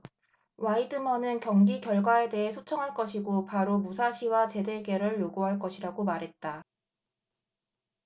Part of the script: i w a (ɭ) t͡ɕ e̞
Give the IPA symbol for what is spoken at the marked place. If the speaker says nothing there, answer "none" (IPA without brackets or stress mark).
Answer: none